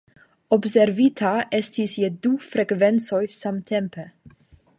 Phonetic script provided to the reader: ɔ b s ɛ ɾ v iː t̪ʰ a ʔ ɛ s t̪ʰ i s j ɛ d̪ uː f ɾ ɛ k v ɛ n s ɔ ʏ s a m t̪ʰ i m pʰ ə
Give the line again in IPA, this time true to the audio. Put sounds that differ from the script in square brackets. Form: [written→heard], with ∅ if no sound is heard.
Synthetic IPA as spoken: ɔ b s ɛ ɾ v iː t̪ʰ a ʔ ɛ s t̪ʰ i s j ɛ d̪ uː f ɾ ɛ k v ɛ n s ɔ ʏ s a m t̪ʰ [i→ɛ] m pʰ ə